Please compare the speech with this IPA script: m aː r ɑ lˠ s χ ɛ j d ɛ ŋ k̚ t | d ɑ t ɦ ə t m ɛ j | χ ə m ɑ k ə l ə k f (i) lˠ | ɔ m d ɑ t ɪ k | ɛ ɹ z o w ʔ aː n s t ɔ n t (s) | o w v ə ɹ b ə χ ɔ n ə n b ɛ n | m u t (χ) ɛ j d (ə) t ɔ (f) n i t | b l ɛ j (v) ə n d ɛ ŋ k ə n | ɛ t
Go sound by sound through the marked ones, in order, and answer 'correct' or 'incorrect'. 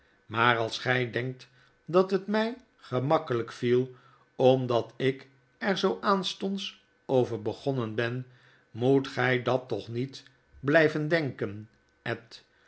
correct, correct, correct, incorrect, incorrect, correct

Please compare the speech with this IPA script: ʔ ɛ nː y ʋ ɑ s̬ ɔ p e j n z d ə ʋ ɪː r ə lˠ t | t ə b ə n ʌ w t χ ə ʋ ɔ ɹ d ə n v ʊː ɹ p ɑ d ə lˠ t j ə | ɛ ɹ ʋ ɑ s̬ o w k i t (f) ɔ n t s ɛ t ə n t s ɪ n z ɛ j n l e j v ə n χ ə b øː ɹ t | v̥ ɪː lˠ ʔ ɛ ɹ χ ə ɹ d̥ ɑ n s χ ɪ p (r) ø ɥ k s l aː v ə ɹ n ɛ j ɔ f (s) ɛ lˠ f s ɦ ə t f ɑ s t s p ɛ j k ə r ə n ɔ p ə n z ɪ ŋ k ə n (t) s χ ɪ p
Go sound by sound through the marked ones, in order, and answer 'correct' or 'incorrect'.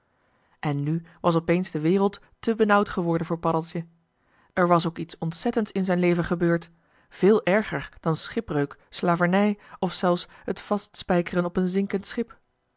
incorrect, correct, correct, correct

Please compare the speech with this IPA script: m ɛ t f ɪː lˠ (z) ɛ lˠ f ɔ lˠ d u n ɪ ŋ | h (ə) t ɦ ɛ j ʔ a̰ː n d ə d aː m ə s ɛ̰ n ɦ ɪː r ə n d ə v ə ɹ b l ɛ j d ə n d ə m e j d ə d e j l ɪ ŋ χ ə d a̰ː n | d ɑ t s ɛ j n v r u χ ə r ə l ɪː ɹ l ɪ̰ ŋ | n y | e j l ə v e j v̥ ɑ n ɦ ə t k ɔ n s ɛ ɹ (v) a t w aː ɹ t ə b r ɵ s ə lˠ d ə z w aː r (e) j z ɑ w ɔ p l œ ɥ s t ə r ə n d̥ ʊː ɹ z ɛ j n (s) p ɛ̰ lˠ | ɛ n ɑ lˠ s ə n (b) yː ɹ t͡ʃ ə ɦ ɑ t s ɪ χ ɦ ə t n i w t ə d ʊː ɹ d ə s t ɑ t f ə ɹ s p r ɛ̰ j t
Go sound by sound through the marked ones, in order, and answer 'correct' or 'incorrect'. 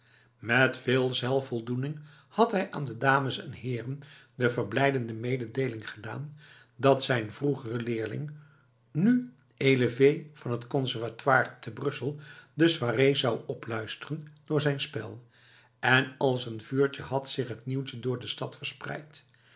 correct, incorrect, correct, correct, correct, incorrect

